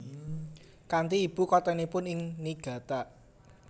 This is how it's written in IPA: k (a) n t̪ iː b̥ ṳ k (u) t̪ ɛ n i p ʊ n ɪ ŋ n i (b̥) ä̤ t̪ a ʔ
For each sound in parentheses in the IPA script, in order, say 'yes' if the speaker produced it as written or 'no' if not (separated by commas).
yes, no, no